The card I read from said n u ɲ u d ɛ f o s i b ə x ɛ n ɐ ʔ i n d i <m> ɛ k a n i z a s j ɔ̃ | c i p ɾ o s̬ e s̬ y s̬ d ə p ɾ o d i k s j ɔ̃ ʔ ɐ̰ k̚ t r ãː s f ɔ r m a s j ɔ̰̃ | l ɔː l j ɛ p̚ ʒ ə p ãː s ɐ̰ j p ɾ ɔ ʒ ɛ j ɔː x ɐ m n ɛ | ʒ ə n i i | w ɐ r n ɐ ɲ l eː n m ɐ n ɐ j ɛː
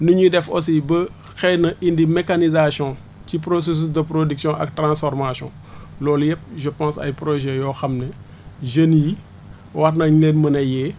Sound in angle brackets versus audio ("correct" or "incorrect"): correct